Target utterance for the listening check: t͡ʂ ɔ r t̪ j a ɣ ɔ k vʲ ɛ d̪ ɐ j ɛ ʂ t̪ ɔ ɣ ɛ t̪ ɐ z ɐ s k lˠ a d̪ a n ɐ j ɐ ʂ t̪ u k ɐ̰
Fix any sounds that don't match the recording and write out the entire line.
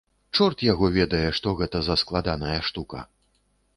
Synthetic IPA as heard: t͡ʂ ɔ r t̪ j a ɣ ɔ vʲ ɛ d̪ ɐ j ɛ ʂ t̪ ɔ ɣ ɛ t̪ ɐ z ɐ s k lˠ a d̪ a n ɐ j ɐ ʂ t̪ u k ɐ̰